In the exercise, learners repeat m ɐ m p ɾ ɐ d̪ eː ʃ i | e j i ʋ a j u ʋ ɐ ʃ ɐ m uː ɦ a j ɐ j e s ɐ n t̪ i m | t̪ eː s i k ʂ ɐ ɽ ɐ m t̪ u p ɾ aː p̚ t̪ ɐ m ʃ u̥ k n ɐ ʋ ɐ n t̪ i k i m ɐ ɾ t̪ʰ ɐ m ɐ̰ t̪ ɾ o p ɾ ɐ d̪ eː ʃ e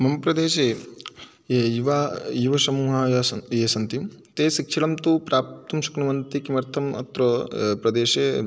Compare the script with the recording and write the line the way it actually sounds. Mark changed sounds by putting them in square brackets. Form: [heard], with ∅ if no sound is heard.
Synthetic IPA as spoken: m ɐ m p ɾ ɐ d̪ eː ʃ [e] | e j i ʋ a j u ʋ ɐ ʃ ɐ m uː ɦ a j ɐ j e s ɐ n t̪ i m | t̪ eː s i k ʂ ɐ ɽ ɐ m t̪ u p ɾ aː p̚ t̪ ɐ m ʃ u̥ k n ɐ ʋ ɐ n t̪ i k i m ɐ ɾ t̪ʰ ɐ m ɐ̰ t̪ ɾ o p ɾ ɐ d̪ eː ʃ e